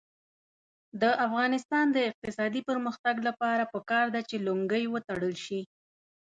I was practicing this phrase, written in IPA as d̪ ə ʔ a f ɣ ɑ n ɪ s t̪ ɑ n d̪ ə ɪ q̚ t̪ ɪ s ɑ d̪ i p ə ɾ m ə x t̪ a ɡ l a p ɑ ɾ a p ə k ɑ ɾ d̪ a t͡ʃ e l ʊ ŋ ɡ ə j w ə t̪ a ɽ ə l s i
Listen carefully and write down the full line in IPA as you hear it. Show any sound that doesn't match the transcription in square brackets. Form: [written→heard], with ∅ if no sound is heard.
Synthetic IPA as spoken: d̪ ə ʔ a f ɣ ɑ n ɪ s t̪ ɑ n d̪ ə ɪ q̚ t̪ ɪ s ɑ d̪ i p ə ɾ m ə x t̪ a ɡ l a p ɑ ɾ a p ə k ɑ ɾ d̪ a t͡ʃ e l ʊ ŋ ɡ ə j w ə t̪ a ɽ ə l [s→ʃ] i